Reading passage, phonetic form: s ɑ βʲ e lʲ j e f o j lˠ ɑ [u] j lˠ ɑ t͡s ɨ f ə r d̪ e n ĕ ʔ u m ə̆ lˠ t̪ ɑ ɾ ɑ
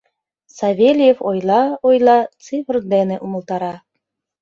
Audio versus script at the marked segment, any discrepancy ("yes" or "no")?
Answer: yes